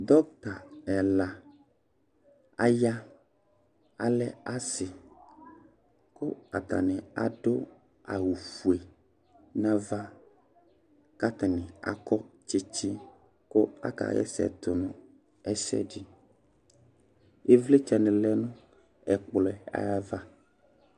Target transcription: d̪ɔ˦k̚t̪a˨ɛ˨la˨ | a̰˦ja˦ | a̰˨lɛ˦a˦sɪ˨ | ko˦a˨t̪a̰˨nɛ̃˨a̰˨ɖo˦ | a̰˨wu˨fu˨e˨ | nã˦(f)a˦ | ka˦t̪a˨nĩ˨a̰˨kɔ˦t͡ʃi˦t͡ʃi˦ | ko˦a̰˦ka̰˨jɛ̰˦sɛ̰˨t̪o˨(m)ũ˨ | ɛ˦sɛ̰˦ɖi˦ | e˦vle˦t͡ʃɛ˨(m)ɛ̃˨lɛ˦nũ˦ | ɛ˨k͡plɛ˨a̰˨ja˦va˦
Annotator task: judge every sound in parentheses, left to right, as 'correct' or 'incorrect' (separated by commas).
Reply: incorrect, incorrect, incorrect